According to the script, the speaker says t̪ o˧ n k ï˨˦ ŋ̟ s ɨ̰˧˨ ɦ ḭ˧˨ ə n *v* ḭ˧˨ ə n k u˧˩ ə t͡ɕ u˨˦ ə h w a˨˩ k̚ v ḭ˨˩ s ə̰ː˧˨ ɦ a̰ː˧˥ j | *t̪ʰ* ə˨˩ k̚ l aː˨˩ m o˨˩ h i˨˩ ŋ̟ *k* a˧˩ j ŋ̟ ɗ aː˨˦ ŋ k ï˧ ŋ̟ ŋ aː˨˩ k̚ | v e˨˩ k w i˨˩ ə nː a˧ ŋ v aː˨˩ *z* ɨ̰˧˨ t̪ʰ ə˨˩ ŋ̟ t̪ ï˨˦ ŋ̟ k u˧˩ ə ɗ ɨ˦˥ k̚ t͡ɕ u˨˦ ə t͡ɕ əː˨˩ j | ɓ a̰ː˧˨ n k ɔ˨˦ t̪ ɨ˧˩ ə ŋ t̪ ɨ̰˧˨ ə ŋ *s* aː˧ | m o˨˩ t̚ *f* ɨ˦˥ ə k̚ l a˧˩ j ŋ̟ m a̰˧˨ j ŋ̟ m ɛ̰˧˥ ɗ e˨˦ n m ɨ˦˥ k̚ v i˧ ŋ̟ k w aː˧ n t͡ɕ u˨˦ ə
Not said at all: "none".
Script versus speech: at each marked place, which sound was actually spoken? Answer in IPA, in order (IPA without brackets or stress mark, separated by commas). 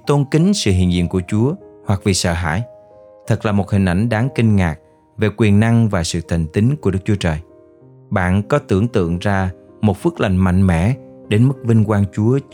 z, t̪ʰ, ʔ, s, z, f